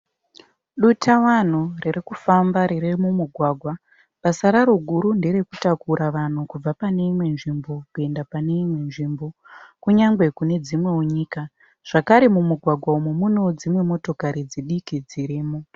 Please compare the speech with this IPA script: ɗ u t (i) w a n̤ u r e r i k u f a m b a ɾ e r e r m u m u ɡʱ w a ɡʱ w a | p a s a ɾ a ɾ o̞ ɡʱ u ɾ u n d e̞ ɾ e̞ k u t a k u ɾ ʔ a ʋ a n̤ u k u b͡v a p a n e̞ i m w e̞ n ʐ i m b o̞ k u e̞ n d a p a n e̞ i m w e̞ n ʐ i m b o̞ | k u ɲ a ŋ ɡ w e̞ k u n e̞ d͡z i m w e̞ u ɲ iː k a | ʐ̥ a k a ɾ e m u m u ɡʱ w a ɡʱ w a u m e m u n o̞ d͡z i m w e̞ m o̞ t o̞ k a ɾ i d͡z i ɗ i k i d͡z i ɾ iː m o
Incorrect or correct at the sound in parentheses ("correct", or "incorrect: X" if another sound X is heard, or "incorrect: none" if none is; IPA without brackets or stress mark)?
incorrect: a